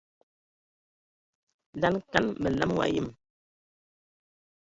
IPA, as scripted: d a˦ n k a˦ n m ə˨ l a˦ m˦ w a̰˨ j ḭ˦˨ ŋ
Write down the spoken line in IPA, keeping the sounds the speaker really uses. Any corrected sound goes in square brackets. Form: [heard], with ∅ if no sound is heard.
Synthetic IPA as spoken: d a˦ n k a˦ n m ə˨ l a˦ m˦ w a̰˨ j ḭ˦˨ [m]